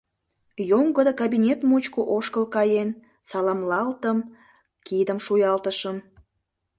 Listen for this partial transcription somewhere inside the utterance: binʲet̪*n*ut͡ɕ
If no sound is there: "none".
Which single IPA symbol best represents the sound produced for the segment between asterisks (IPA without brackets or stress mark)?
m